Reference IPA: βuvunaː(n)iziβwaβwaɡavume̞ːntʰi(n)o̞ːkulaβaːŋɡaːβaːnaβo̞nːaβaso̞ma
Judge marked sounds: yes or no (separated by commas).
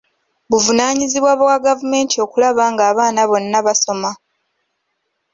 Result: no, no